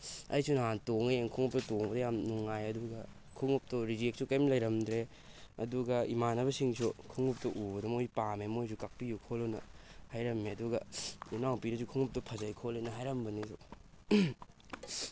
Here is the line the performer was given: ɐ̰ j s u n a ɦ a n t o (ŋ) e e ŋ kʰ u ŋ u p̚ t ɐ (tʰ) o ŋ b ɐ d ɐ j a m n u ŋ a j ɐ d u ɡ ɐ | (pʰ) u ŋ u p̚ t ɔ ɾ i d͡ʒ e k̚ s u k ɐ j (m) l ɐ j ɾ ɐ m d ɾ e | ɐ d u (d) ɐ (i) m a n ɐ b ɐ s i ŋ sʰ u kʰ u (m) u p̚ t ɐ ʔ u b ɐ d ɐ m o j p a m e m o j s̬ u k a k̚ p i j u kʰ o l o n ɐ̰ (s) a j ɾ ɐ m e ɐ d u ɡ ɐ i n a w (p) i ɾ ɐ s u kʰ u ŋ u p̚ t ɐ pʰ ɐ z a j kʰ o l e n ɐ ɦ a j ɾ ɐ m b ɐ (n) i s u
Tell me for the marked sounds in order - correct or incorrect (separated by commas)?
correct, incorrect, incorrect, correct, incorrect, correct, incorrect, incorrect, correct, correct